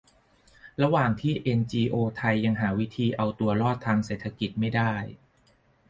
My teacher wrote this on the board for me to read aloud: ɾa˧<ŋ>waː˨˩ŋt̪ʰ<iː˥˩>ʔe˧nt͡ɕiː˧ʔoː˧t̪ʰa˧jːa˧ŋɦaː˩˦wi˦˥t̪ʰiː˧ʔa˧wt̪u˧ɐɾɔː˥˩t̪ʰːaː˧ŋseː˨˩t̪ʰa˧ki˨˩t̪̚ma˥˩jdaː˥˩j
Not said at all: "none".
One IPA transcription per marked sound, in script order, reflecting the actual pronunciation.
none, iː˥˩

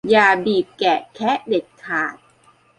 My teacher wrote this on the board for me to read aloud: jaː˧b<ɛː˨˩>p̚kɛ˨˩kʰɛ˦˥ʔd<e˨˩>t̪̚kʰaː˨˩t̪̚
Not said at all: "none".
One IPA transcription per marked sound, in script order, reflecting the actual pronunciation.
iː˨˩, e˨˩

